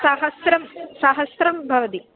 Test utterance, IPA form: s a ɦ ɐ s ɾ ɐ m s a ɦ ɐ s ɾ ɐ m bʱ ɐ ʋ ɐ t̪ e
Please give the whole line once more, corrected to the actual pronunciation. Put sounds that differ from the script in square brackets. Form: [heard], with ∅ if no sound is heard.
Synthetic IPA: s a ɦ ɐ s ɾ ɐ m s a ɦ ɐ s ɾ ɐ m bʱ ɐ ʋ ɐ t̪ [i]